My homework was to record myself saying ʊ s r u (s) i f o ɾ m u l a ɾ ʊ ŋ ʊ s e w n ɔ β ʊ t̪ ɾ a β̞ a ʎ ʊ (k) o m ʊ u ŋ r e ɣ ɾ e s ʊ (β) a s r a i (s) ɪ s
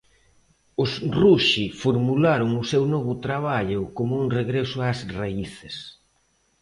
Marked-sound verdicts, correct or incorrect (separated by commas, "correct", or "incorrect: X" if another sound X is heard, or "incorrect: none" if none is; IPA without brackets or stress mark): incorrect: ʃ, correct, incorrect: none, incorrect: θ